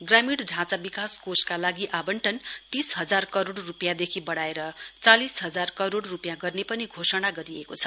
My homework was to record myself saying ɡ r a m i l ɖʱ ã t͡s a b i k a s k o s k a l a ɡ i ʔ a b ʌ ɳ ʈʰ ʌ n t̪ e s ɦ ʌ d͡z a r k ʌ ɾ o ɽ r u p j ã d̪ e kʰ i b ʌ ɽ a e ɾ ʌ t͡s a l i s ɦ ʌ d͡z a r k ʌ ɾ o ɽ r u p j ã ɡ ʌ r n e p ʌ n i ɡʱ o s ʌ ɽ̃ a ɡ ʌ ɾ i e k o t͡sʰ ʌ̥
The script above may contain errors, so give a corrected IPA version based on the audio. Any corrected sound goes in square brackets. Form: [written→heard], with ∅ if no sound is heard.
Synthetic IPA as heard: ɡ r a m i [l→ɽ] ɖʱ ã t͡s a b i k a s k o s k a l a ɡ i ʔ a b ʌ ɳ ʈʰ ʌ n t̪ [e→i] s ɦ ʌ d͡z a r k ʌ ɾ o ɽ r u p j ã d̪ e kʰ i b ʌ ɽ a e ɾ ʌ t͡s a l i s ɦ ʌ d͡z a r k ʌ ɾ o ɽ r u p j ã ɡ ʌ r n e p ʌ n i ɡʱ o s ʌ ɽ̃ a ɡ ʌ ɾ i e k o t͡sʰ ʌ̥

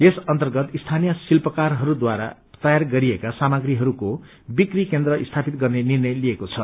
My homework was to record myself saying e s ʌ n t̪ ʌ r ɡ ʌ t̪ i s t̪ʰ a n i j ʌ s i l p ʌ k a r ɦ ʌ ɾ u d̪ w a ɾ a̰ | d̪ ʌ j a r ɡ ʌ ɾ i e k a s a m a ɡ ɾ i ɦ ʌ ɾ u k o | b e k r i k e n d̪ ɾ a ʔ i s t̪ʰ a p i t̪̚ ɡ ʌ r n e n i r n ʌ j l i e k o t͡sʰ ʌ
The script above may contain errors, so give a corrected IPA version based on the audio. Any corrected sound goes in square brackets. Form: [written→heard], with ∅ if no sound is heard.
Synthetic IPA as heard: e s ʌ n t̪ ʌ r ɡ ʌ t̪ i s t̪ʰ a n i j ʌ s i l p ʌ k a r ɦ ʌ ɾ u d̪ w a ɾ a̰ | [d̪→t̪] ʌ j a r ɡ ʌ ɾ i e k a s a m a ɡ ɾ i ɦ ʌ ɾ u k o | b [e→i] k r i k e n d̪ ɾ [a→ʌ] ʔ i s t̪ʰ a p i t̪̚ ɡ ʌ r n e n i r n ʌ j l i e k o t͡sʰ ʌ

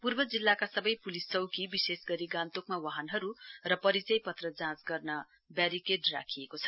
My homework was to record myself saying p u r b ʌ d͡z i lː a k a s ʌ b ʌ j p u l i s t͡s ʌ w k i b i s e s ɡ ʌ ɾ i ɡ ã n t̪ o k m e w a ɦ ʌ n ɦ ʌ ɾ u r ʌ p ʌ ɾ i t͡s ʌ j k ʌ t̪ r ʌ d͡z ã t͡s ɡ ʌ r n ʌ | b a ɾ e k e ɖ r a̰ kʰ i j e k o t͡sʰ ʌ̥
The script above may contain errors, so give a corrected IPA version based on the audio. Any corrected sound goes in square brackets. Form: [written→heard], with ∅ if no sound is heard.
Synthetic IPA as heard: p u r b ʌ d͡z i lː a k a s ʌ b ʌ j p u l i s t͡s ʌ w k i b i s e s ɡ ʌ ɾ i ɡ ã n t̪ o k m [e→a] w a ɦ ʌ n ɦ ʌ ɾ u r ʌ p ʌ ɾ i t͡s ʌ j [k→p] ʌ t̪ r ʌ d͡z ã t͡s ɡ ʌ r n ʌ | b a ɾ [e→i] k e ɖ r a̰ kʰ i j e k o t͡sʰ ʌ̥

